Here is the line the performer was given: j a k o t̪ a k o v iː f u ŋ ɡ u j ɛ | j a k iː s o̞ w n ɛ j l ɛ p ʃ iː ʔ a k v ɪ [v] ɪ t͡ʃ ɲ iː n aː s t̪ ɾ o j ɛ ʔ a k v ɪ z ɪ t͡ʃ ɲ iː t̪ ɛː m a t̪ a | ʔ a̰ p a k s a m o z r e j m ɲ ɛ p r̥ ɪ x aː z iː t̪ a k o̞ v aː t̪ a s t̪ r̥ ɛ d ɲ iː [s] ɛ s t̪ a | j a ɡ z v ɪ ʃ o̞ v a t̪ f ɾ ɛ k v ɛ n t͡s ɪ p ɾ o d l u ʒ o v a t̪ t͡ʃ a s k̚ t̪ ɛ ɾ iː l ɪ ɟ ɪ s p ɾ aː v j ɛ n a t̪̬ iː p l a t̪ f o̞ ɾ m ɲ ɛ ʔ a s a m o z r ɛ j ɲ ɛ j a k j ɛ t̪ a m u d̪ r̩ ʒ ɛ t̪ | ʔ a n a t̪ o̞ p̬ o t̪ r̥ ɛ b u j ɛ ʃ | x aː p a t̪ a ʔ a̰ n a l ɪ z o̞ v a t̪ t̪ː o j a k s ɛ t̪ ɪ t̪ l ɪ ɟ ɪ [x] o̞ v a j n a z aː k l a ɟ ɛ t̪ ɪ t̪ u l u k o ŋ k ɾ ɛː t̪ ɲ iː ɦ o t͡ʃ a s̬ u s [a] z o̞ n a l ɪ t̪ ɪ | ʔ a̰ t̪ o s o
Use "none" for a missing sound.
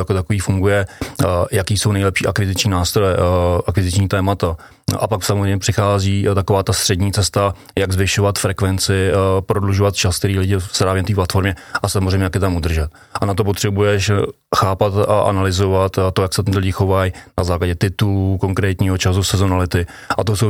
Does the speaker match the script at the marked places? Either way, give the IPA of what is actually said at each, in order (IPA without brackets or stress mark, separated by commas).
z, t͡s, x, ɛ